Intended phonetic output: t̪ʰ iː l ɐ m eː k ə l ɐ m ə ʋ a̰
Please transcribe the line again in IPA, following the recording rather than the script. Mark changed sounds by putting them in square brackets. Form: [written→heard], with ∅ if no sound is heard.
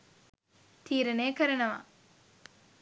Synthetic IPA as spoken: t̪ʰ iː [l→ɾ] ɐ [m→n] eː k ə [l→ɾ] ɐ [m→n] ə ʋ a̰